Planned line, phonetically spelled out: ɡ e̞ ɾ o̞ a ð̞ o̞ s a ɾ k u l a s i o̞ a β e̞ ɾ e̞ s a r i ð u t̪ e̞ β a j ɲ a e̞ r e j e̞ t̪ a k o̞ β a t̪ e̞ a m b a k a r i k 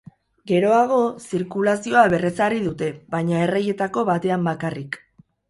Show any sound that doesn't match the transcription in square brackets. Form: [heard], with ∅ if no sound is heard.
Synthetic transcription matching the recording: ɡ e̞ ɾ o̞ a [ɣ̞] o̞ s [i] ɾ k u l a s i o̞ a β e̞ [r] e̞ s a r i ð u t̪ e̞ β a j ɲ a e̞ r e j e̞ t̪ a k o̞ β a t̪ e̞ a m b a k a r i k